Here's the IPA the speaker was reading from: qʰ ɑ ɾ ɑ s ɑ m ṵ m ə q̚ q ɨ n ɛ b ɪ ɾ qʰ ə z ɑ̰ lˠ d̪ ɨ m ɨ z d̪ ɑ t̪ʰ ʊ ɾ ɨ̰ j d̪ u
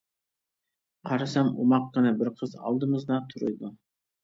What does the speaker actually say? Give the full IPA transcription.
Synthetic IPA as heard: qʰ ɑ ɾ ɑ s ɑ m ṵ m ɑ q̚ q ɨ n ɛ b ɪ ɾ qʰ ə z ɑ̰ lˠ d̪ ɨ m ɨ z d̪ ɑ t̪ʰ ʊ ɾ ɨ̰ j d̪ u